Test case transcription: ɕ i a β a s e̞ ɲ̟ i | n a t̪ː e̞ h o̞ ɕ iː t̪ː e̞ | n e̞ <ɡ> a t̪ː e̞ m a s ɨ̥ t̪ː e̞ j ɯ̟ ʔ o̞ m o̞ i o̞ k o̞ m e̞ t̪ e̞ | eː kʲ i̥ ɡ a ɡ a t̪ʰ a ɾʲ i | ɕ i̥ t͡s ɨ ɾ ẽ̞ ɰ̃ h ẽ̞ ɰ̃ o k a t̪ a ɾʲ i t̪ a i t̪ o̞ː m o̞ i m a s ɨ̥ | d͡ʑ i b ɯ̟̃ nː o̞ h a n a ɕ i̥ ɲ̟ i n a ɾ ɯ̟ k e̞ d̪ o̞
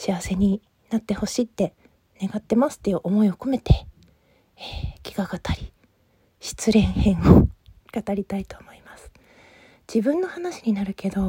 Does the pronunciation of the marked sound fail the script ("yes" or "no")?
no